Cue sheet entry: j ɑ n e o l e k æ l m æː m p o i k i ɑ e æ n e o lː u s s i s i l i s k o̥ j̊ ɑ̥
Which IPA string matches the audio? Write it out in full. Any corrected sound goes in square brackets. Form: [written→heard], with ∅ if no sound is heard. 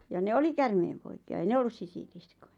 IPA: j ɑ n e o l [e→i] k æ [l→r] m [æː→eː] m p o i k i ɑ e [æ→i] n e o lː u s s i s i l i s k o̥ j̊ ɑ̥